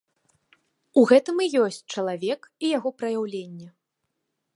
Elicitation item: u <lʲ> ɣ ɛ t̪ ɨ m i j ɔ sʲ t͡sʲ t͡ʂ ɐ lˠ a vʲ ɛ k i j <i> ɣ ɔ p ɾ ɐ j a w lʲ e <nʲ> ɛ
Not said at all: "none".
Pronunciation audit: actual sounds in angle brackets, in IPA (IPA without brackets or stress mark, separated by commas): none, a, nʲː